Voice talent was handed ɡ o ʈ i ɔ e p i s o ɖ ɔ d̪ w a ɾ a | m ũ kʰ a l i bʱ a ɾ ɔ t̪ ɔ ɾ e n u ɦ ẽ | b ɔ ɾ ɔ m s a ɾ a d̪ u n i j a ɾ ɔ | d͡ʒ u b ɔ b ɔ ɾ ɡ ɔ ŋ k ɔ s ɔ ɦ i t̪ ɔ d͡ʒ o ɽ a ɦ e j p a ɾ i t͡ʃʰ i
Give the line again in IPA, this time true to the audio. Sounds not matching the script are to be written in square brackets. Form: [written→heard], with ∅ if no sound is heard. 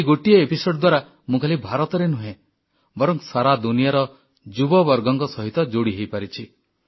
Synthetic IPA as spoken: ɡ o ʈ i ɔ e p i s o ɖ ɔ d̪ w a ɾ a | m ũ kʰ a l i bʱ a ɾ ɔ t̪ ɔ ɾ e n u ɦ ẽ | b ɔ ɾ ɔ [m→ŋ] s a ɾ a d̪ u n i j a ɾ ɔ | d͡ʒ u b ɔ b ɔ ɾ ɡ ɔ ŋ k ɔ s ɔ ɦ i t̪ ɔ d͡ʒ o ɽ [a→i] ɦ e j p a ɾ i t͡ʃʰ i